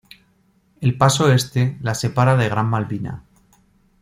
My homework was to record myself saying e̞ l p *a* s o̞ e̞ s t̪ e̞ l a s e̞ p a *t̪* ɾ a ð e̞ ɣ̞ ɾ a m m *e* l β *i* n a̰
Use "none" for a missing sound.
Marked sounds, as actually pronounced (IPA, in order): a, none, a, i

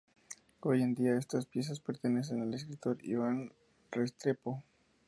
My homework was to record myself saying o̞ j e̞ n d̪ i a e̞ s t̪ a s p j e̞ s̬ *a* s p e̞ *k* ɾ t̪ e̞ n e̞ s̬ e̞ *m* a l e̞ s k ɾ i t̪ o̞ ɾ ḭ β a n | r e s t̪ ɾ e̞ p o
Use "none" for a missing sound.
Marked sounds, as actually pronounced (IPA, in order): a, none, n

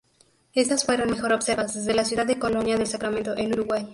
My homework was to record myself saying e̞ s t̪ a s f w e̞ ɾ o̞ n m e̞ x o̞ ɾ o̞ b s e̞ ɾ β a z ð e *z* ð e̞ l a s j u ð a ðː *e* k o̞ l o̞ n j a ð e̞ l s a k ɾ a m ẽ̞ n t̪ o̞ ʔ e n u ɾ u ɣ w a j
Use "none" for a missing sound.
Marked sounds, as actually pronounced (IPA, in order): z, e

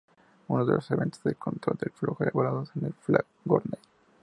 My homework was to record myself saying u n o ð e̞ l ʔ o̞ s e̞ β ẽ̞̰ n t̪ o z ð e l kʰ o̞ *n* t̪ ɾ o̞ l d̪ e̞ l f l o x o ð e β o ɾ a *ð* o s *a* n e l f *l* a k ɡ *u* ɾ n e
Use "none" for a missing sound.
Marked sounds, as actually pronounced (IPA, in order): n, ð, e, l, o

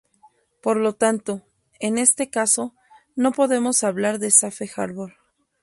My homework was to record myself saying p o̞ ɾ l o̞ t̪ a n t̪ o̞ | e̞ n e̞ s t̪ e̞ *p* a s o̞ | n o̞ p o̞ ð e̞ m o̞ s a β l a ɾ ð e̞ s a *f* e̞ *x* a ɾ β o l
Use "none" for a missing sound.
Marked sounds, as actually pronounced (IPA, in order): k, f, x

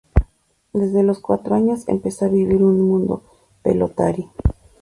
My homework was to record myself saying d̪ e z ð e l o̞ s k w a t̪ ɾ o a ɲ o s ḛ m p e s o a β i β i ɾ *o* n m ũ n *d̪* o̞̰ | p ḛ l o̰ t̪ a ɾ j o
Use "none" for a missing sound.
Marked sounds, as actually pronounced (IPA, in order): u, d̪

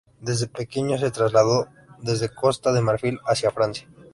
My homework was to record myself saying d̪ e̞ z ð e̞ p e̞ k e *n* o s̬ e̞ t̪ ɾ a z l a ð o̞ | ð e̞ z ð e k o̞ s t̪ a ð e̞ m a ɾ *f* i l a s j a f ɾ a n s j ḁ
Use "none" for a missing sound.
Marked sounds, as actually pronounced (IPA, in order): ɲ, f

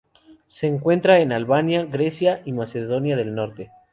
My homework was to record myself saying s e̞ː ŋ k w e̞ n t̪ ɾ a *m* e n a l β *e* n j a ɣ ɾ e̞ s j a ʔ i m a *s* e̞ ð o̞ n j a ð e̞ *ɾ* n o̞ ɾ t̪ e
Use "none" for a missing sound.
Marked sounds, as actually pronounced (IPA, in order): none, a, s, l

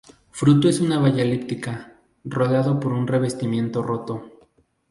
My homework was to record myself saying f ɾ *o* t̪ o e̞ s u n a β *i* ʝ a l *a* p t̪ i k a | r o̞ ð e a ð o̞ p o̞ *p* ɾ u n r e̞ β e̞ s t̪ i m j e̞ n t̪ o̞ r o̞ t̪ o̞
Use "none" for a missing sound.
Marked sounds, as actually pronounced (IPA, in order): u, a, i, none

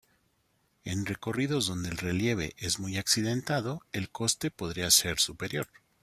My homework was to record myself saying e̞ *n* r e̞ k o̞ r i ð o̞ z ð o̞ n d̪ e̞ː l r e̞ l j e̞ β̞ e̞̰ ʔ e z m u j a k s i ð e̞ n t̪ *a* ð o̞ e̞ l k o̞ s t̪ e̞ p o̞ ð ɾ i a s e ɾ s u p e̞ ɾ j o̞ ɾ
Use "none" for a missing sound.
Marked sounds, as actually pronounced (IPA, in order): n, a

